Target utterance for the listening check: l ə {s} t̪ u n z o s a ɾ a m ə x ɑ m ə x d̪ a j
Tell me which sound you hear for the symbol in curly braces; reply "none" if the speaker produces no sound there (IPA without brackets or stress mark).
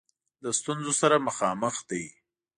s